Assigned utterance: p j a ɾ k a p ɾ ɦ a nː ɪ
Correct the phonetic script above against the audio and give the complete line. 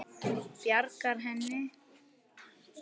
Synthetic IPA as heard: p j a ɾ k a ɾ ɦ ɛ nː ɪ